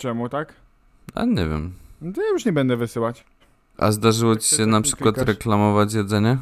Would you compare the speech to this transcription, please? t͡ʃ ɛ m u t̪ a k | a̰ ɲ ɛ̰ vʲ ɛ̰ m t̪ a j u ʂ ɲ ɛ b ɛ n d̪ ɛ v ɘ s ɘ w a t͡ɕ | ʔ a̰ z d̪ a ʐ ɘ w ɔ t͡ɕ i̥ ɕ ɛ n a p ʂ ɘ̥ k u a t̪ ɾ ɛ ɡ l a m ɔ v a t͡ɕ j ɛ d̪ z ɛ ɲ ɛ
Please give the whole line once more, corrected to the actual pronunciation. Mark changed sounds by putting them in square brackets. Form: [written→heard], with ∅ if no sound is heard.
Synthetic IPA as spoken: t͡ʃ ɛ m u t̪ a k | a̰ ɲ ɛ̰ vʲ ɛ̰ m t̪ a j u ʂ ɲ ɛ b ɛ n d̪ ɛ v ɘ s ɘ w a t͡ɕ | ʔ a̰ z d̪ a ʐ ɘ w ɔ t͡ɕ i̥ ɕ ɛ n a p ʂ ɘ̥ k [u→w] a t̪ ɾ ɛ [ɡ→k] l a m ɔ v a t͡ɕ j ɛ d̪ z ɛ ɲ ɛ